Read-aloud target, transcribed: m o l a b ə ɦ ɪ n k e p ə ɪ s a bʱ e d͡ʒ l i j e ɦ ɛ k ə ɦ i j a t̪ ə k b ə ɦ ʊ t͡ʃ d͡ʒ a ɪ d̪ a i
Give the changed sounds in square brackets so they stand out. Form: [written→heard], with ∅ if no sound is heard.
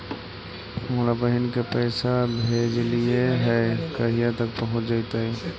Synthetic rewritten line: m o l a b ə ɦ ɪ n k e p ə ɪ s a bʱ e d͡ʒ l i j e ɦ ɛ k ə ɦ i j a t̪ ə k [b→p] ə ɦ ʊ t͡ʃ d͡ʒ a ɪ [d̪→t̪] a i

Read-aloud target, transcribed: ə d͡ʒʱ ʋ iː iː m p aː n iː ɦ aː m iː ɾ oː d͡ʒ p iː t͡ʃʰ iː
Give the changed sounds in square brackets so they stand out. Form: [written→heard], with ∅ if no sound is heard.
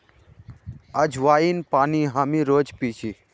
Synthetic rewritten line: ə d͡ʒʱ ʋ [iː→aː] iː [m→n] p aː n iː ɦ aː m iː ɾ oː d͡ʒ p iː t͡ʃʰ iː

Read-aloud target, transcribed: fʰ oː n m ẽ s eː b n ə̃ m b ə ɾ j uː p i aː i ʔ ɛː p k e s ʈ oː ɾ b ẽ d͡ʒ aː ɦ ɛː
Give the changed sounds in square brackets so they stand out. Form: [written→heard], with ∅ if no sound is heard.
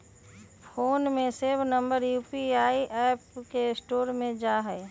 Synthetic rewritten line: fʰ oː n m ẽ s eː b n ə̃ m b ə ɾ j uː p i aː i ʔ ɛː p k e s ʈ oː ɾ [b→m] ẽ d͡ʒ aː ɦ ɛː

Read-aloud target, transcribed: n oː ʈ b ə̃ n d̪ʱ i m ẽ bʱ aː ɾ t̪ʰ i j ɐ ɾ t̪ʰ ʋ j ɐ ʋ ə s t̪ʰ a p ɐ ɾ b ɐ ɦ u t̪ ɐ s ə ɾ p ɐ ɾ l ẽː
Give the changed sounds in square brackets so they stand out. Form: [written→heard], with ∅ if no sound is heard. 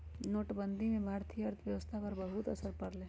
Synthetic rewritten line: n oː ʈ b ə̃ n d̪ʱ i m ẽ bʱ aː ɾ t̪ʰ i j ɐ ɾ t̪ʰ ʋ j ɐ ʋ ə s t̪ʰ a p ɐ ɾ b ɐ ɦ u t̪ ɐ s ə ɾ p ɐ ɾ l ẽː

